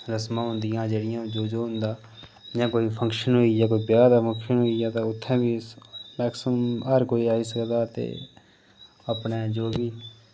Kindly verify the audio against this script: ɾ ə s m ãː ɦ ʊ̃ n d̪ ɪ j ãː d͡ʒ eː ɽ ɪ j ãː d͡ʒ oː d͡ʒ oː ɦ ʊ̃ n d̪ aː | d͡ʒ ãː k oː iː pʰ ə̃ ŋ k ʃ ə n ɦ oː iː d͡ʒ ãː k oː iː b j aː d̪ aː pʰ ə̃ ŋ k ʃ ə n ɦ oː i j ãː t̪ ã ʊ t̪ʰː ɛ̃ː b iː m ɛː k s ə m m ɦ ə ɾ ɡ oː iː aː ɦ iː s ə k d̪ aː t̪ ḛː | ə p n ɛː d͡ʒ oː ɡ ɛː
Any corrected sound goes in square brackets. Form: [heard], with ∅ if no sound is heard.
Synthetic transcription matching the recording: ɾ ə s m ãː ɦ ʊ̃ n d̪ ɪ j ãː d͡ʒ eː ɽ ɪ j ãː d͡ʒ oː d͡ʒ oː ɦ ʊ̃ n d̪ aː | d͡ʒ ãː k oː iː pʰ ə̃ ŋ k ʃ ə n ɦ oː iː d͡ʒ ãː k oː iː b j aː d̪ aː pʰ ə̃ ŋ k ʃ ə n ɦ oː i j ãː t̪ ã ʊ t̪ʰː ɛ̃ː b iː m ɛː k s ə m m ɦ ə ɾ [k] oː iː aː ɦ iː s ə k d̪ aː t̪ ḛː | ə p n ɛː d͡ʒ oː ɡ [iː]